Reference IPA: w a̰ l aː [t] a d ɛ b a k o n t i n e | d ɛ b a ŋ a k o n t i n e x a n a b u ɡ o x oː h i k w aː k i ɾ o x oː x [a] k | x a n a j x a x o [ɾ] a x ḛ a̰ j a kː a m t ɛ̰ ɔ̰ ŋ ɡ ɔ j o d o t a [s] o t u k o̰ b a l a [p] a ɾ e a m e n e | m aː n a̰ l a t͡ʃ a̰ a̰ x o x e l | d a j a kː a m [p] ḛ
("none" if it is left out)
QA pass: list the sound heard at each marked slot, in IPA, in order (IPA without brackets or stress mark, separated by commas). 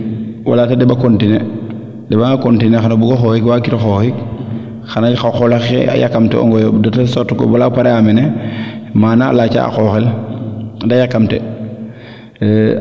t, i, l, s, p, t